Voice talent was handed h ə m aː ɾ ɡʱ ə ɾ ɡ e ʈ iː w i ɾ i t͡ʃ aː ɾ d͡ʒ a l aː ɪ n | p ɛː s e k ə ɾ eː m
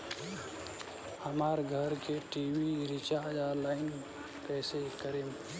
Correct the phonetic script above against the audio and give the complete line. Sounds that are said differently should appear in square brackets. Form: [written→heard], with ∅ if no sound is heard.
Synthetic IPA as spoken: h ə m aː ɾ ɡʱ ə ɾ [ɡ→k] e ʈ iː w i ɾ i t͡ʃ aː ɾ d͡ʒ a l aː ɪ n | p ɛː s e k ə ɾ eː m